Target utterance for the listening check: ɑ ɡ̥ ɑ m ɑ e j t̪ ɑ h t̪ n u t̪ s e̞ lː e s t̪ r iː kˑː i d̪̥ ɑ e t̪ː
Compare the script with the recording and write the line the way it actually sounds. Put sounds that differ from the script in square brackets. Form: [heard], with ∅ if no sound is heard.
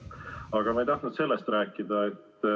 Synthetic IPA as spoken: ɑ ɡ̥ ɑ m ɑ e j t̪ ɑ h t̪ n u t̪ s e̞ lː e s t̪ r [æː] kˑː i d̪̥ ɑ e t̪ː